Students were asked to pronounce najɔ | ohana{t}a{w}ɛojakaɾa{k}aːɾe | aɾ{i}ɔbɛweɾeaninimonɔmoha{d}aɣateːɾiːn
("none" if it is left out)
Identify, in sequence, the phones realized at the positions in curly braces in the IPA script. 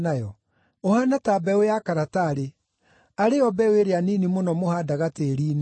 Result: t, b, t, e, d

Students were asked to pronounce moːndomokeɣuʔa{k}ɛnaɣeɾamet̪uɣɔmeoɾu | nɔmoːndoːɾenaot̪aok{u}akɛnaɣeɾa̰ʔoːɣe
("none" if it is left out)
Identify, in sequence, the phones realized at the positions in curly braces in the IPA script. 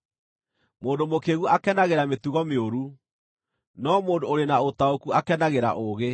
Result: k, u

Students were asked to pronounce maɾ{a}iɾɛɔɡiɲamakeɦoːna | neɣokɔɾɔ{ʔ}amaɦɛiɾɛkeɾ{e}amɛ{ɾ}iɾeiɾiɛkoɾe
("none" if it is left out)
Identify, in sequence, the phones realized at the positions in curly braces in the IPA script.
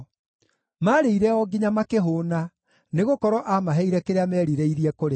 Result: e, ʔ, e, ɾ

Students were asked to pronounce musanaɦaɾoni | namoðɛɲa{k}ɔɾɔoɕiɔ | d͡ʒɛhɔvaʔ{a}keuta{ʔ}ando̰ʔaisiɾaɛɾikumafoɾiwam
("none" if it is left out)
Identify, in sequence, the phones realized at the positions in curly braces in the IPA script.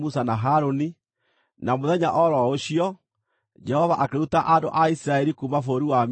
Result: ʔ, a, ʔ

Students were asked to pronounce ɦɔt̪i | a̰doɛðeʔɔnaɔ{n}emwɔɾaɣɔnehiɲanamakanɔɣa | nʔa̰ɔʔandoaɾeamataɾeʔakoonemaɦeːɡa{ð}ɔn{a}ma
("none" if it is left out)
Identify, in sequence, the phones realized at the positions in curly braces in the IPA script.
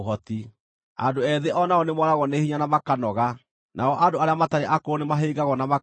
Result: n, ɣ, a

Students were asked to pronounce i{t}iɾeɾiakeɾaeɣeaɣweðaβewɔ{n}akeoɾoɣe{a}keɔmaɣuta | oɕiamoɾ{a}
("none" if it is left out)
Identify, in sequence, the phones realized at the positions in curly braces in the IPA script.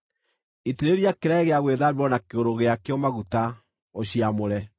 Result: t, n, a, ɛ

